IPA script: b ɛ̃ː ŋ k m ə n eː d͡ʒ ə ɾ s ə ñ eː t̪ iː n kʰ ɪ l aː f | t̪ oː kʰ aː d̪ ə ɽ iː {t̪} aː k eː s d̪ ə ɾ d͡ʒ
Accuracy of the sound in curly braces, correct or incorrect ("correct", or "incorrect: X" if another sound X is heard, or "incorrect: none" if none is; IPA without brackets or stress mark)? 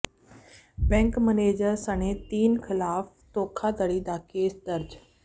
incorrect: d̪